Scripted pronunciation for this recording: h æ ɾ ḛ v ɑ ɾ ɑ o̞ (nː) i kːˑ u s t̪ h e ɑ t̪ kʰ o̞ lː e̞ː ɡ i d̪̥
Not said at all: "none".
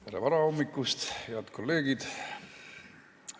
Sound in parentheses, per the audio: mː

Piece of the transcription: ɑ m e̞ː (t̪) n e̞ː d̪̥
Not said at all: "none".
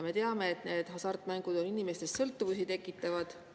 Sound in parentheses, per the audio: t̪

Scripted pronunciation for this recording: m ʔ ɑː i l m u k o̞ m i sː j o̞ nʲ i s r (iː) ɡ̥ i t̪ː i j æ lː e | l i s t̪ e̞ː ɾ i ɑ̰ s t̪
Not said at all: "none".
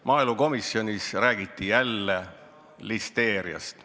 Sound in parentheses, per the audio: æː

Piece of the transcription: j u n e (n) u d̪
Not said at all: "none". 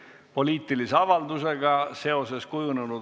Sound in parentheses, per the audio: n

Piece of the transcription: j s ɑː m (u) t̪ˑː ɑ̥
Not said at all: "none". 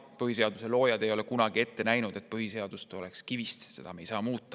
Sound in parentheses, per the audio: uː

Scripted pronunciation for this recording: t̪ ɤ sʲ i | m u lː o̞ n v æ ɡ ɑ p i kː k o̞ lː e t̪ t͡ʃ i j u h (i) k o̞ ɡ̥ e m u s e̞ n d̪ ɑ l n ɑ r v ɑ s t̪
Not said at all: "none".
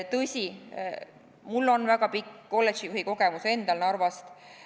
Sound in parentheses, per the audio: i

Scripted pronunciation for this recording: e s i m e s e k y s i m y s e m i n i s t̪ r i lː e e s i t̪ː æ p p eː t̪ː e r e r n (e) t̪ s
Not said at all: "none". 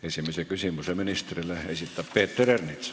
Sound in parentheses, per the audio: i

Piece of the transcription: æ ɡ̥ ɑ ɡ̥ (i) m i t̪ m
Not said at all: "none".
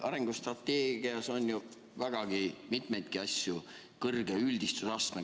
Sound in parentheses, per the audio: i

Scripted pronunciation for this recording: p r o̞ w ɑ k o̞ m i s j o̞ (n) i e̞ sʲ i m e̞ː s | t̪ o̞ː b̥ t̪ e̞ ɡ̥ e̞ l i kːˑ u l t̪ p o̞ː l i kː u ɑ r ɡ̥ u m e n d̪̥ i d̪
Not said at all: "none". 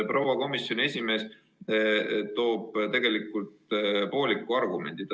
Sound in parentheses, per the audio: n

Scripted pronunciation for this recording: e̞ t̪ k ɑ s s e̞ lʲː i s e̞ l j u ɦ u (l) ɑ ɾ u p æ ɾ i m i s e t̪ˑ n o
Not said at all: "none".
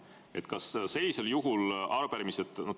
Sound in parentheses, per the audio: l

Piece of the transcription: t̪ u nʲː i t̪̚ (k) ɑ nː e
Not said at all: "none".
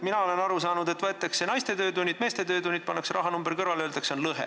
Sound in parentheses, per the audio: p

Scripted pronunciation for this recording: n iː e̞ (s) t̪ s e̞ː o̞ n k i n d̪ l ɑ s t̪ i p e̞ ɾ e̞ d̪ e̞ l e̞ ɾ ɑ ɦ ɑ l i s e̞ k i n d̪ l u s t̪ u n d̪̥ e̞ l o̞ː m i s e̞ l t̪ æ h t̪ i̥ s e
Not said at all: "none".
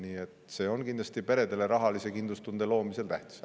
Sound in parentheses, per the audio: none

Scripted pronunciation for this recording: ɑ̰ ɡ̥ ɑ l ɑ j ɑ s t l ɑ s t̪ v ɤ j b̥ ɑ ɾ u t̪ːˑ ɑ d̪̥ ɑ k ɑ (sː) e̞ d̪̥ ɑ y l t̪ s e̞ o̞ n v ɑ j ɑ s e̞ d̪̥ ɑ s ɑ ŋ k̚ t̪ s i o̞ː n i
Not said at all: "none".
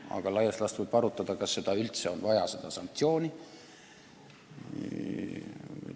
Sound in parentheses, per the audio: sː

